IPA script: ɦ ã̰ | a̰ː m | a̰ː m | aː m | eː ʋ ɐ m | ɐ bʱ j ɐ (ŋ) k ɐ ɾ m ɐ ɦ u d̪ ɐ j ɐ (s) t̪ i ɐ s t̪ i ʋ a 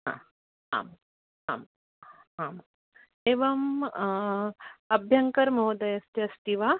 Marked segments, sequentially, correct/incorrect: correct, correct

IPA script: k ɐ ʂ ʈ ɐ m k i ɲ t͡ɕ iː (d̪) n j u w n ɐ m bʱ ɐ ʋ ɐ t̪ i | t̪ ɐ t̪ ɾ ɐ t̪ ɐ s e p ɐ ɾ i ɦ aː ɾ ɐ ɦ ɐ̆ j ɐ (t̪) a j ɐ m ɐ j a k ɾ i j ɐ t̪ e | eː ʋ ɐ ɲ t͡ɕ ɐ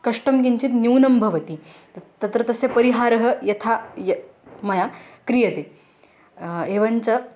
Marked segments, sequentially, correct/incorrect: incorrect: t̪, incorrect: t̪ʰ

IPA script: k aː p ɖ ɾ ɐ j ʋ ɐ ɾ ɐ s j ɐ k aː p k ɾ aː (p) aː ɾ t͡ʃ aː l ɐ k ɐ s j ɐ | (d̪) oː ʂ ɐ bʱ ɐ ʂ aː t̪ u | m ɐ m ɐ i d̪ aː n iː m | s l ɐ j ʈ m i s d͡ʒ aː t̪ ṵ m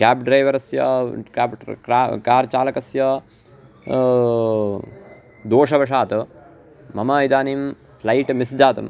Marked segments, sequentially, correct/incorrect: incorrect: k, correct

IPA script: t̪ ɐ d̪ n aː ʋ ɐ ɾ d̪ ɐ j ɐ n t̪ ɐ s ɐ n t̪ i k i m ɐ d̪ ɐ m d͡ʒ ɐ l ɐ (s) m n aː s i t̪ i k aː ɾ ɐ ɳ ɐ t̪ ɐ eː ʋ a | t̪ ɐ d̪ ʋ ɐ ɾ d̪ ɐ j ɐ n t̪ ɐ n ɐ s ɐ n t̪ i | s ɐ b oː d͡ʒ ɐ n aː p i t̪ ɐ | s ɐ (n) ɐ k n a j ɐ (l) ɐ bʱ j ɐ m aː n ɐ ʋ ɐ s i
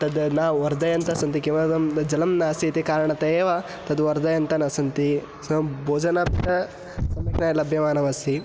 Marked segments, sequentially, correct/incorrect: incorrect: none, incorrect: m, correct

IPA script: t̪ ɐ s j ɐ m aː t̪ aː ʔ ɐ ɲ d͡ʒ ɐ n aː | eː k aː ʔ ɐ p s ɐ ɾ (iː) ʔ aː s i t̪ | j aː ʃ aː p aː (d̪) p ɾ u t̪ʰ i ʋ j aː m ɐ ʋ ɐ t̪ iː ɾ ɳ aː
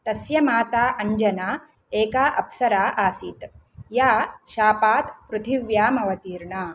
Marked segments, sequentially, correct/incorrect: incorrect: aː, incorrect: t̪

